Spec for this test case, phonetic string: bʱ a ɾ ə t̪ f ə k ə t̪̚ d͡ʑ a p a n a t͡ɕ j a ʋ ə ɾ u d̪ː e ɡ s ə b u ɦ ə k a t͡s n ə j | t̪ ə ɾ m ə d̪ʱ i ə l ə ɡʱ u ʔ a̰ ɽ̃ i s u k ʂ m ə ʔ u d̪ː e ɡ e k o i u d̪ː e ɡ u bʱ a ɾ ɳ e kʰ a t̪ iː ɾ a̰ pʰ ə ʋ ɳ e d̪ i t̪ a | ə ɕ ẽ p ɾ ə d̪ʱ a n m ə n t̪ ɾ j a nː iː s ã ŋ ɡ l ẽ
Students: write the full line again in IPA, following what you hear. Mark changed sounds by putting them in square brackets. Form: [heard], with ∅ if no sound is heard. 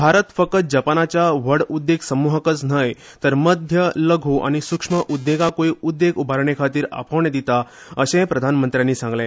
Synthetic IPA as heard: bʱ a ɾ ə t̪ f ə k ə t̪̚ d͡ʑ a p a n a t͡ɕ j a ʋ ə [ɽ] u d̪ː e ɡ s ə [m] u ɦ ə k [ə] t͡s n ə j | t̪ ə ɾ m ə d̪ʱ [j] ə l ə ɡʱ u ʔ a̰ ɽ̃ i s u k ʂ m ə ʔ u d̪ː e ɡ [a] k o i u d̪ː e ɡ u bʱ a ɾ ɳ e kʰ a t̪ iː ɾ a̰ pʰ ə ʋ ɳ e d̪ i t̪ a | ə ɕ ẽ p ɾ ə d̪ʱ a n m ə n t̪ ɾ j a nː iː s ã ŋ ɡ l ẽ

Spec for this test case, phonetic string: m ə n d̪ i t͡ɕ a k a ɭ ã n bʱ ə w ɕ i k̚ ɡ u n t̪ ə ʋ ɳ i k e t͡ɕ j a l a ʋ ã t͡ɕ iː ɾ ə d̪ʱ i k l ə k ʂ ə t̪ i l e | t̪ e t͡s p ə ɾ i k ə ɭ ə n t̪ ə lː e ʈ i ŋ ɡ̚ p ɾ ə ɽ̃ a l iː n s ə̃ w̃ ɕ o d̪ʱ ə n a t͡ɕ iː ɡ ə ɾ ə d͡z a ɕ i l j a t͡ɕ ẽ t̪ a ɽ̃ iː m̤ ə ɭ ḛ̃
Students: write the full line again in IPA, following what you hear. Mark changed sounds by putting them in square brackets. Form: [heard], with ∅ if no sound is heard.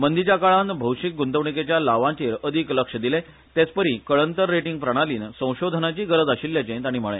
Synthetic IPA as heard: m ə n d̪ i t͡ɕ a k a ɭ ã n bʱ ə w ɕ i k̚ ɡ u n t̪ ə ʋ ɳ i k e t͡ɕ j a l a ʋ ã t͡ɕ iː ɾ ə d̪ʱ i k l ə k ʂ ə [d̪] i l e | t̪ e t͡s p ə ɾ i k ə ɭ ə n t̪ ə [ɾː] e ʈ i ŋ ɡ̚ p ɾ ə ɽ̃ a l iː n s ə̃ w̃ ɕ o d̪ʱ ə n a t͡ɕ iː ɡ ə ɾ ə d͡z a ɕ i l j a t͡ɕ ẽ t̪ a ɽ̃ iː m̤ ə ɭ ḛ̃

